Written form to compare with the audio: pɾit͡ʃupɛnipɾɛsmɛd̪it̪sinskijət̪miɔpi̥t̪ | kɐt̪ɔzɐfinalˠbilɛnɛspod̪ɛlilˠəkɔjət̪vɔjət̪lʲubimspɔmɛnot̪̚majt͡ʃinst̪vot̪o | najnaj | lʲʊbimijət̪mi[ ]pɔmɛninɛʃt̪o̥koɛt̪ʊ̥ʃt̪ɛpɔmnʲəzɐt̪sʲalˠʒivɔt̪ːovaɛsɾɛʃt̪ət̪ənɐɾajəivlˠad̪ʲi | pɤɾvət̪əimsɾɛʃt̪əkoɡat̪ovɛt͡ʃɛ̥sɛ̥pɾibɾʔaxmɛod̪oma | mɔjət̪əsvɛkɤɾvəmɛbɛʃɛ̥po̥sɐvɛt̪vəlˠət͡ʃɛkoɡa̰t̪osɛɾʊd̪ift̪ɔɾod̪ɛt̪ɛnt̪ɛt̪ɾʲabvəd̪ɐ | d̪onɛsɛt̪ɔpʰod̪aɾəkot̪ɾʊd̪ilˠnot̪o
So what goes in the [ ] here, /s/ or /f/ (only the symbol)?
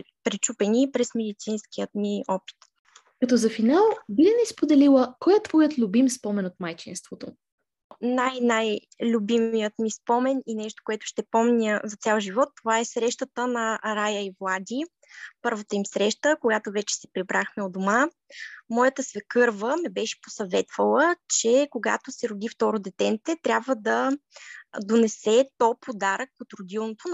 s